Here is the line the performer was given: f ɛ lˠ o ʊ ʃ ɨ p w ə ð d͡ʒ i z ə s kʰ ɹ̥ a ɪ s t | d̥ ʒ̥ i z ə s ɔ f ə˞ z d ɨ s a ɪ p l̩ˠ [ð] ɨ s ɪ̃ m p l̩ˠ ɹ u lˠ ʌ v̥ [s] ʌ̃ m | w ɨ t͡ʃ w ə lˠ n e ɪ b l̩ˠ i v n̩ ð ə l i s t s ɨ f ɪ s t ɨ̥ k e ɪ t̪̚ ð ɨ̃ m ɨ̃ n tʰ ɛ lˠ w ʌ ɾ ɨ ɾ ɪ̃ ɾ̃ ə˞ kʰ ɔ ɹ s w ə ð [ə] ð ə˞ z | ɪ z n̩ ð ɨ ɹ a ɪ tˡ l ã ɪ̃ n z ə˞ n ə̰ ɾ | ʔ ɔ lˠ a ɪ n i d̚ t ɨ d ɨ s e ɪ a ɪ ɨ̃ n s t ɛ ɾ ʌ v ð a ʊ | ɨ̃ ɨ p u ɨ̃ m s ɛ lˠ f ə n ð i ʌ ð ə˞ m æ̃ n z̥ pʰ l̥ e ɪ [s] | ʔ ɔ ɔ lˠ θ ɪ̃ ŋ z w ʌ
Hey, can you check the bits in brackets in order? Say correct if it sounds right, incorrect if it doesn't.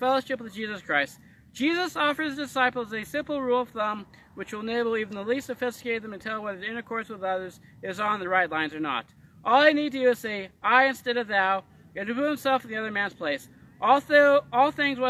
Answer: incorrect: z, incorrect: θ, incorrect: ʌ, correct

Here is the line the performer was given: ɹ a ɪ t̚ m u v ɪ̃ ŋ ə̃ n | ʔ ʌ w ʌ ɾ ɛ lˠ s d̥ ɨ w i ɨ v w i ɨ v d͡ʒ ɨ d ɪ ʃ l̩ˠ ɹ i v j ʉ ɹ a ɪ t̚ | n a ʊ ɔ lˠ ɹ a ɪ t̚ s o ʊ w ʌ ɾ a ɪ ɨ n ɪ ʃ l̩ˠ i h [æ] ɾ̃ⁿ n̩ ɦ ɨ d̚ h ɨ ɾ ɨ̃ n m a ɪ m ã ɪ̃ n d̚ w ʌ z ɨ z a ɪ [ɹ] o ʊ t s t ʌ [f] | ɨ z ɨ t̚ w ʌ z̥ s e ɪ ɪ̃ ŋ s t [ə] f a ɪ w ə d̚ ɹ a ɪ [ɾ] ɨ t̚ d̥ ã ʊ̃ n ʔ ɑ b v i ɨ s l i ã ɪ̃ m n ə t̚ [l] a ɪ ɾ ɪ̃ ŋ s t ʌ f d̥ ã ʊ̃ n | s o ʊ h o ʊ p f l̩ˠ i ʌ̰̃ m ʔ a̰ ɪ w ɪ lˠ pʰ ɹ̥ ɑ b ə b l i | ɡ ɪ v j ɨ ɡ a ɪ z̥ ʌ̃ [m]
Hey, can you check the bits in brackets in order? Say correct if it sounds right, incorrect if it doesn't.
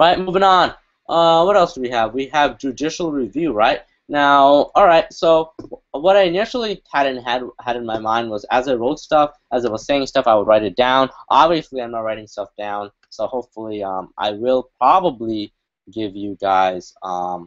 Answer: correct, correct, correct, incorrect: ʌ, correct, incorrect: ɹ, correct

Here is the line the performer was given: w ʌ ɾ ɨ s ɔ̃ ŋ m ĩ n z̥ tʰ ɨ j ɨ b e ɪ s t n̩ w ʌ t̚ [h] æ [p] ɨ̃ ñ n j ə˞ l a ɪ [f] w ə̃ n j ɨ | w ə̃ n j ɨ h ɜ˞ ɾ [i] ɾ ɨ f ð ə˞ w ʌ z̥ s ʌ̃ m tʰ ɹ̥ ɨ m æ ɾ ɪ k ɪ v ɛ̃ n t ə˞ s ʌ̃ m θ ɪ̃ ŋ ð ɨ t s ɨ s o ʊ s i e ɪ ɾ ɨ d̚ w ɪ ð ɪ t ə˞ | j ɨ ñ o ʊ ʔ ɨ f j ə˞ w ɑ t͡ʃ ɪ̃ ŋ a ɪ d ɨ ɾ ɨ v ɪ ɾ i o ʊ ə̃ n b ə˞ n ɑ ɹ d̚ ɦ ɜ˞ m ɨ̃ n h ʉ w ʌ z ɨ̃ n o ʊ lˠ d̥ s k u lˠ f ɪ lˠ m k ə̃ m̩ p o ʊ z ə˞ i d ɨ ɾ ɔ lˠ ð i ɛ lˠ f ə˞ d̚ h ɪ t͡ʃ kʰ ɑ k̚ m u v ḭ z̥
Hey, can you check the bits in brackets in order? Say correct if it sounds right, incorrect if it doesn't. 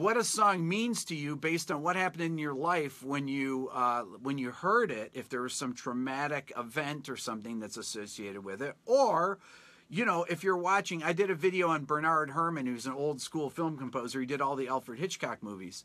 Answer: correct, correct, correct, incorrect: ɪ

